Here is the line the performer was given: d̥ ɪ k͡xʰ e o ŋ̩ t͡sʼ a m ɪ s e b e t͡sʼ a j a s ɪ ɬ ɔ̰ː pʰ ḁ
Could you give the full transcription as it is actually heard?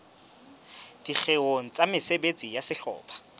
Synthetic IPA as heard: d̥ i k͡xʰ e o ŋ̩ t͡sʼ a m ɪ s e b e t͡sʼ i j a s ɪ ɬ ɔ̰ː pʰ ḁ